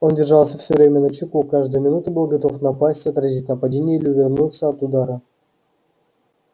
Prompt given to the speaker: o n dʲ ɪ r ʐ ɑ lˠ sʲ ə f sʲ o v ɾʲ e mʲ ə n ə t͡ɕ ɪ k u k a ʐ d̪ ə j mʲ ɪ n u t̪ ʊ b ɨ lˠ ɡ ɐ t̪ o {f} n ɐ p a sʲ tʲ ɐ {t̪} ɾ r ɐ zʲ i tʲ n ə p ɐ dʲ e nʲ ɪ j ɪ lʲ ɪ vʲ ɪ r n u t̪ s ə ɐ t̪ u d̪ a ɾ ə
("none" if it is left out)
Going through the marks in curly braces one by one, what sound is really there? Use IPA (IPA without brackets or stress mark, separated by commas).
f, t̪